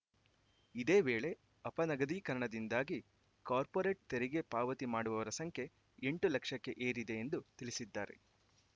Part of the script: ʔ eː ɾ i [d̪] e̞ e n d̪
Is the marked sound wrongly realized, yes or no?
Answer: no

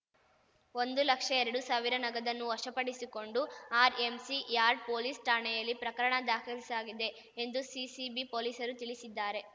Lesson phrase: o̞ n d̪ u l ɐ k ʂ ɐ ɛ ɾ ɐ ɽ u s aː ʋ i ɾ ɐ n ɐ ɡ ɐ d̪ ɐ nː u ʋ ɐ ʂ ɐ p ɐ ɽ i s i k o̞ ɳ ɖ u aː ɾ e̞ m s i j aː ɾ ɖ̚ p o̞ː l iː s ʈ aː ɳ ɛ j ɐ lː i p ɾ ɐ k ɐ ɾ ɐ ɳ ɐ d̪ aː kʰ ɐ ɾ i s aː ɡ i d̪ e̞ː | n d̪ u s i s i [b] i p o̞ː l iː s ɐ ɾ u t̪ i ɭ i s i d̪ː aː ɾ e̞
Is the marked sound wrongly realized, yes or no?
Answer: no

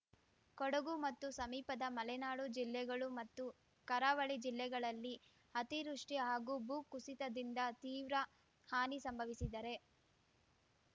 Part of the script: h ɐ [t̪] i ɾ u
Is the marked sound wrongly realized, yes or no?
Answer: no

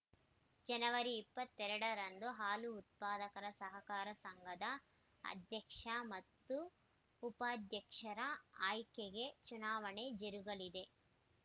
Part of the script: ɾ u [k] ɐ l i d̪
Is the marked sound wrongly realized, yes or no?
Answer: yes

